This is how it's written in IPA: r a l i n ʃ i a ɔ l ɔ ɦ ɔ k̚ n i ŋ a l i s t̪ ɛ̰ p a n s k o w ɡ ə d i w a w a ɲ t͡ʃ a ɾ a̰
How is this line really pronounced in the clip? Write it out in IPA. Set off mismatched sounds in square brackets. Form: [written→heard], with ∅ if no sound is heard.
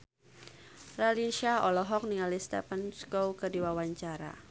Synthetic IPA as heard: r a l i n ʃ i a ɔ l ɔ ɦ ɔ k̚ n i ŋ a l i s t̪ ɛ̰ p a n s k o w [ɡ→k] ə d i w a w a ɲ t͡ʃ a ɾ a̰